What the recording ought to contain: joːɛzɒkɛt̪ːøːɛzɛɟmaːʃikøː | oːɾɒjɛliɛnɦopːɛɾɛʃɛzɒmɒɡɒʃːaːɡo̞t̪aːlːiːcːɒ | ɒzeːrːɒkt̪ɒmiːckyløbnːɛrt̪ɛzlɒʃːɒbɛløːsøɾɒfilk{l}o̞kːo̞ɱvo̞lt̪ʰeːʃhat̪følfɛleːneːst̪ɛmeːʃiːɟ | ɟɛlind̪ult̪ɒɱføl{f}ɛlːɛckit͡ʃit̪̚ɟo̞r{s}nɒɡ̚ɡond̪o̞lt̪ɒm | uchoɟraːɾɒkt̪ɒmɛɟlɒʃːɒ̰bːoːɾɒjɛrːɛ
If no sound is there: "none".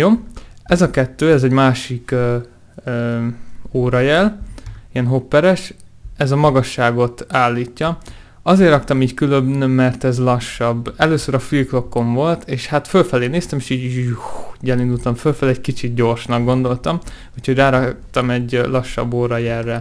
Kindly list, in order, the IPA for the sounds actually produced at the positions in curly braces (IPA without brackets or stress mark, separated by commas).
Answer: l, f, ʃ